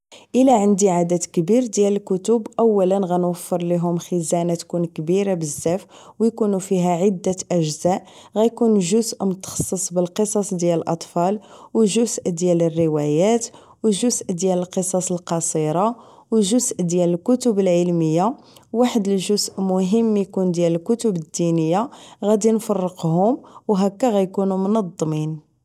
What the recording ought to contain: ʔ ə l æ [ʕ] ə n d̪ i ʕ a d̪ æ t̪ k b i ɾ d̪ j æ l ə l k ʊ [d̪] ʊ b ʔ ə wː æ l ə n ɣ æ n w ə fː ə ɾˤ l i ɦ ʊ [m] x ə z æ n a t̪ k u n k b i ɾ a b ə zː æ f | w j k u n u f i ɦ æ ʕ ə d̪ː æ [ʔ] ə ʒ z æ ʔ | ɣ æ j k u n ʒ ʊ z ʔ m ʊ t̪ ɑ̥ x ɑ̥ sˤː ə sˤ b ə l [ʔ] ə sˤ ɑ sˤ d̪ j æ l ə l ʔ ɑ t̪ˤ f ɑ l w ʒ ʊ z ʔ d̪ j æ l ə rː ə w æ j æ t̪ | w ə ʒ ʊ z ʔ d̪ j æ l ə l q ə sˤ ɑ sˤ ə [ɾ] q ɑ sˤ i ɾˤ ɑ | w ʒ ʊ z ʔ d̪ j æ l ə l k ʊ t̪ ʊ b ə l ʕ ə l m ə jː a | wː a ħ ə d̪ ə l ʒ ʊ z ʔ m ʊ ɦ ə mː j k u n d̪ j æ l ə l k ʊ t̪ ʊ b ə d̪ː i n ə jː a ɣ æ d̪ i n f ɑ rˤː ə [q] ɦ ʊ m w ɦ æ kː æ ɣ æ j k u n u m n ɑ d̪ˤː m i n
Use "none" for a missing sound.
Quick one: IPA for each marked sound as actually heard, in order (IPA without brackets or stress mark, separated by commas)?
ʕ, t̪, m, ʔ, q, l, q